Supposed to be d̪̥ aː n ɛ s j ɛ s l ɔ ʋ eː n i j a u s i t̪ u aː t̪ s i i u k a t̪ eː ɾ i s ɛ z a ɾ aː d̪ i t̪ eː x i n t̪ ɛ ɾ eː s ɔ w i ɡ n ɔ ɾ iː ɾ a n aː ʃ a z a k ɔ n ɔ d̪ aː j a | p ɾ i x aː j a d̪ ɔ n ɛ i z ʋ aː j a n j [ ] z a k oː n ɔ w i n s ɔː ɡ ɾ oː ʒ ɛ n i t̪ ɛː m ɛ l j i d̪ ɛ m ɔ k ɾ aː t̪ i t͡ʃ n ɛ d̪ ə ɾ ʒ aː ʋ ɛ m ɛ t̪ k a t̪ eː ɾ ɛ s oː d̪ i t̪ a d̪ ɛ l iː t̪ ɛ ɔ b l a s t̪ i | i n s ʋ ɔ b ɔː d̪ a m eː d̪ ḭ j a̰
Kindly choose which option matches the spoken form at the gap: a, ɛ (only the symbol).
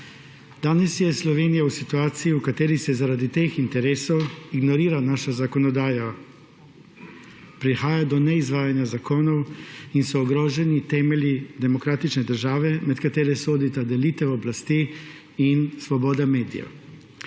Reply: a